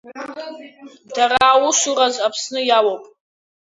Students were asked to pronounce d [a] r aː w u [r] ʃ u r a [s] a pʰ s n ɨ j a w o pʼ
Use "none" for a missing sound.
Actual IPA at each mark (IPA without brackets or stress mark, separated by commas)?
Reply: a, none, z